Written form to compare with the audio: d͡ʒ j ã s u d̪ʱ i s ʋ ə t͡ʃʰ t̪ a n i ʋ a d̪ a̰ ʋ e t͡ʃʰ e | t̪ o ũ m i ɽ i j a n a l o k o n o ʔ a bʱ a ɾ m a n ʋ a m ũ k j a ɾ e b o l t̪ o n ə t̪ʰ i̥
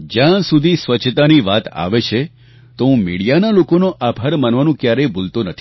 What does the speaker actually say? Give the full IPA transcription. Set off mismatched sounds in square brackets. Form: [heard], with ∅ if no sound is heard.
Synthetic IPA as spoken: d͡ʒ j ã s u d̪ʱ i s ʋ ə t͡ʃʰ t̪ a n i ʋ a [t̪] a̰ ʋ e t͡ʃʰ e | t̪ o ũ m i ɽ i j a n a l o k o n o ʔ a bʱ a ɾ m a n ʋ a [n] ũ k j a ɾ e b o l t̪ o n ə t̪ʰ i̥